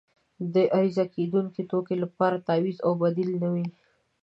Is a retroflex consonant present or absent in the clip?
absent